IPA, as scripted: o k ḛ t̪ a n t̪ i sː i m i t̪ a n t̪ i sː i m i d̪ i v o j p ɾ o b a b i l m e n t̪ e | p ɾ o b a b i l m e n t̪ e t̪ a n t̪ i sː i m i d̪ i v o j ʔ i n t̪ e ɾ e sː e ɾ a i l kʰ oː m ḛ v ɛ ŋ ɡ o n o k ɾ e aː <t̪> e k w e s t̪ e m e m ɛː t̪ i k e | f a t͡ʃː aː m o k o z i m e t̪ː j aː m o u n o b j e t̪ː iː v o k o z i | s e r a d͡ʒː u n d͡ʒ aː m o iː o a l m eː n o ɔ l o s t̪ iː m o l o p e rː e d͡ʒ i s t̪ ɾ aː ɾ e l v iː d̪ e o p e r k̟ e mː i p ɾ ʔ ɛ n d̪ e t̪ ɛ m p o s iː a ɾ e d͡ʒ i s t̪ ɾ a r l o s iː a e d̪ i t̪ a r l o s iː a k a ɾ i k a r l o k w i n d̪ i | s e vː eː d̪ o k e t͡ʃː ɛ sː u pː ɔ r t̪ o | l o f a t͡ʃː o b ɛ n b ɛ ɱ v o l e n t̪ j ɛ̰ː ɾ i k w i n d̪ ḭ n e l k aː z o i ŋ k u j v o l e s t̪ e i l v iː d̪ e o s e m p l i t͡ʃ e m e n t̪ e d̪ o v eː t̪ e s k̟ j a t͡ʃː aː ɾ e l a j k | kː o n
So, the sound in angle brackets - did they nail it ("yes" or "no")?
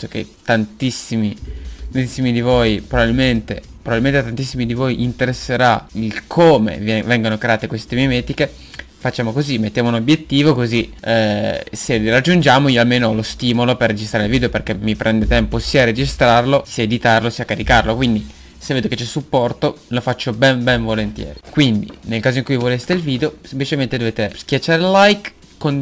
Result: yes